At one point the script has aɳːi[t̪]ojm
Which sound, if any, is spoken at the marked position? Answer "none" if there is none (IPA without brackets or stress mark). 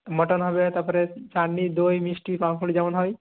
d̪